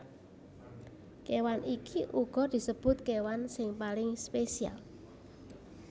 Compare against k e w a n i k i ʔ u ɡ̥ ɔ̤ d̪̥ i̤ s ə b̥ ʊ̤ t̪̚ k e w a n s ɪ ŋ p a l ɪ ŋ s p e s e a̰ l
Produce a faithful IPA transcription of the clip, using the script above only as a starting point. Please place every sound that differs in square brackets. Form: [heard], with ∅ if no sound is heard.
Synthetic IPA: k e w a n i k i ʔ u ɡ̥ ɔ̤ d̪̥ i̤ s ə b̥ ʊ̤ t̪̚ k e w a n s ɪ ŋ p a l ɪ ŋ s p e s [i] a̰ l